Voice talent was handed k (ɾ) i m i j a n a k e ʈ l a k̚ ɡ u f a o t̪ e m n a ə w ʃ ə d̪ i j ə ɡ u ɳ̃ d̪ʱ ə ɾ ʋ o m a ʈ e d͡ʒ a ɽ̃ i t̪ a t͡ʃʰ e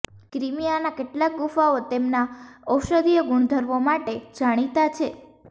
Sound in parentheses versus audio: correct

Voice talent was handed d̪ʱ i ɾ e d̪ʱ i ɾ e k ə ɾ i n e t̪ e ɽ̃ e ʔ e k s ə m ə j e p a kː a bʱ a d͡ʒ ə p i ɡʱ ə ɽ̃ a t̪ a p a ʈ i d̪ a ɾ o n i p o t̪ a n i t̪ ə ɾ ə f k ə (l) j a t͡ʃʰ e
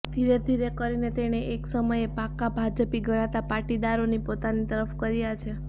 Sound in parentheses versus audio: incorrect: ɾ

